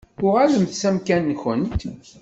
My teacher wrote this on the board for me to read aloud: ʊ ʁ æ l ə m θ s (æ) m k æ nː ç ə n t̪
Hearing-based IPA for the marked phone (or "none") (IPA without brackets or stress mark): æ